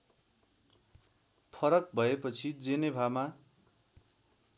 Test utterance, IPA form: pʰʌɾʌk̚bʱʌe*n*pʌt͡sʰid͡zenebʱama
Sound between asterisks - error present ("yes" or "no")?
yes